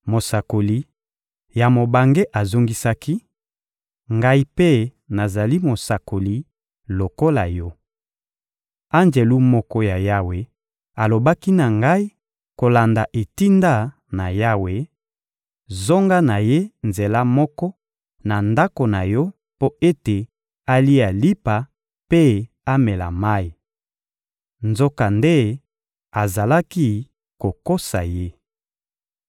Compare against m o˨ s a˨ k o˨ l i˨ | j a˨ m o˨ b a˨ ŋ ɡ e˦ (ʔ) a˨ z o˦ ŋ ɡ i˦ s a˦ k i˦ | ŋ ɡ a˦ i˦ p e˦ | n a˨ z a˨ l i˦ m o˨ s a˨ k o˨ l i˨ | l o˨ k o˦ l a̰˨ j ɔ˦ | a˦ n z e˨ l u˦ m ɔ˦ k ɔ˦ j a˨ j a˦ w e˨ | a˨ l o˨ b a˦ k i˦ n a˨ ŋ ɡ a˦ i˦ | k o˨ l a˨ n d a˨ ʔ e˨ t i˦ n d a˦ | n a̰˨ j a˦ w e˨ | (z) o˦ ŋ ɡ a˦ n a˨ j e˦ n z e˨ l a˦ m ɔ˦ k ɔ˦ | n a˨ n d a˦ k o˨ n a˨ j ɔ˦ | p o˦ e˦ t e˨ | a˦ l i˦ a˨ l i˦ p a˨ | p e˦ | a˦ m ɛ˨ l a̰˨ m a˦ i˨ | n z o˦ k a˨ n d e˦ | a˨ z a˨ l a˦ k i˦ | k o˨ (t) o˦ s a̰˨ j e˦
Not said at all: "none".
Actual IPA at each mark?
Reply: ʔ, z, k

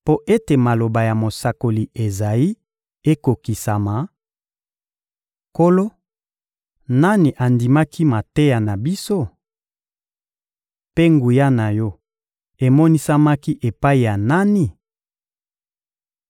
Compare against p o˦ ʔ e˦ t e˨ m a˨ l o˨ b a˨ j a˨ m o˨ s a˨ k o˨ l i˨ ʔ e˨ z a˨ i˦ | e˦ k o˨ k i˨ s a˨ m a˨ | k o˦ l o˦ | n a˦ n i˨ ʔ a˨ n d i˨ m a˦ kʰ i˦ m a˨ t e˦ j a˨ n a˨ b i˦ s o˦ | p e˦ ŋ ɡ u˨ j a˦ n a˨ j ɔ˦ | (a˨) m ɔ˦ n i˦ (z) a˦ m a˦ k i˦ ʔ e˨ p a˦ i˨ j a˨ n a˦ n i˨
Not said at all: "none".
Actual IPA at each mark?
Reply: e˨, s

